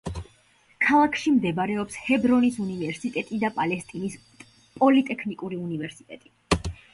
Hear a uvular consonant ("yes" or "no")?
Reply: no